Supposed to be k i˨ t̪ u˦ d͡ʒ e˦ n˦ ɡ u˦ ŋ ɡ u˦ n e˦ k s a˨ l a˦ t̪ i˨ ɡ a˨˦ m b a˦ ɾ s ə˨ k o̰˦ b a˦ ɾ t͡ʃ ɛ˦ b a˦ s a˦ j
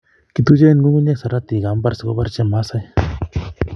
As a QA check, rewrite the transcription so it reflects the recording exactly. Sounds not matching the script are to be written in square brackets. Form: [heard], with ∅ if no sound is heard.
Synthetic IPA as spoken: k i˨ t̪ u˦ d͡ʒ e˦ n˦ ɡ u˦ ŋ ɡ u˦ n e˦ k s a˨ [ɾ] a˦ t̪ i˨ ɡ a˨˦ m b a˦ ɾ s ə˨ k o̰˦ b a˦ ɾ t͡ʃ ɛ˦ [m] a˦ s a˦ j

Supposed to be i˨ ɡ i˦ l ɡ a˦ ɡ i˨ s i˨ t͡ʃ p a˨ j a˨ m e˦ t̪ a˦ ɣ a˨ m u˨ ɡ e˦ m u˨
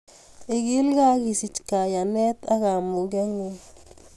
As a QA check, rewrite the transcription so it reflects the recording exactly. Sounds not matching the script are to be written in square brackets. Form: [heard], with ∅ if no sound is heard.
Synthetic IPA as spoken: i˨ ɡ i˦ l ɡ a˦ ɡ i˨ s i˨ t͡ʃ [k] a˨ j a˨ [n] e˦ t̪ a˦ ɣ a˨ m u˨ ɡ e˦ [ŋ] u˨

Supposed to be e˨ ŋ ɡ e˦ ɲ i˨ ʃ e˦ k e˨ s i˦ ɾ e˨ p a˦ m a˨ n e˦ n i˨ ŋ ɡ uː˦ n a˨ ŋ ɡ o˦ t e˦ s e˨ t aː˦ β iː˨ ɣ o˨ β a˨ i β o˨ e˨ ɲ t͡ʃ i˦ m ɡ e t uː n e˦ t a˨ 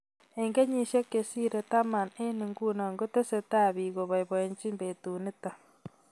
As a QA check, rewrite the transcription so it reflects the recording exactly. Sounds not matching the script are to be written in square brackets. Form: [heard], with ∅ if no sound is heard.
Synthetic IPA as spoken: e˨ ŋ ɡ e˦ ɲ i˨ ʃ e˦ k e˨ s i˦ ɾ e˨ [t] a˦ m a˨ n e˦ n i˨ ŋ ɡ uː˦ n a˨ ŋ ɡ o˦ t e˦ s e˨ t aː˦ β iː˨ ɣ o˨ β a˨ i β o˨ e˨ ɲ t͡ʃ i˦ m [b] e t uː n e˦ t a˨

